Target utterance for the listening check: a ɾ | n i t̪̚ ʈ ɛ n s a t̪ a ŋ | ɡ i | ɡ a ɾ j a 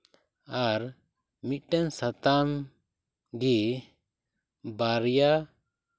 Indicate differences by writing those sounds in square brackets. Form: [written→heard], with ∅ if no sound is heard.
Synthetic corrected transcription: a ɾ | [n→m] i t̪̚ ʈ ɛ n s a t̪ a [ŋ→m] | ɡ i | [ɡ→b] a ɾ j a